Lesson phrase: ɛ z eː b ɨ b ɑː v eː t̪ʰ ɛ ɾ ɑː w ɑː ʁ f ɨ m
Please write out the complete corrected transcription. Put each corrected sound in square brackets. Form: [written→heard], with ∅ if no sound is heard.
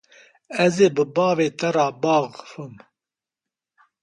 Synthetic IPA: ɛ z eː b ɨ b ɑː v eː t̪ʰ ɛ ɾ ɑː [w→b] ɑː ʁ f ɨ m